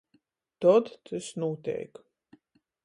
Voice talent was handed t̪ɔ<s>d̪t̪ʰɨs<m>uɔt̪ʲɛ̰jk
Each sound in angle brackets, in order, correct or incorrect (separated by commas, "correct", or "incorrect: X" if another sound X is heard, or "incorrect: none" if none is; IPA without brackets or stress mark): incorrect: none, incorrect: n